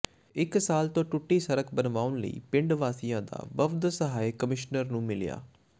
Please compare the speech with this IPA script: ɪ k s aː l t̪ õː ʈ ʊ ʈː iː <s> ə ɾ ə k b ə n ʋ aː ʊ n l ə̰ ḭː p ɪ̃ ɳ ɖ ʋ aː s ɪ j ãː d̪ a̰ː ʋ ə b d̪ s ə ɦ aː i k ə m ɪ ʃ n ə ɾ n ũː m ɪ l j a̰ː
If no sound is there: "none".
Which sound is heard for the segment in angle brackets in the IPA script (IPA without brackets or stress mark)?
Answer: s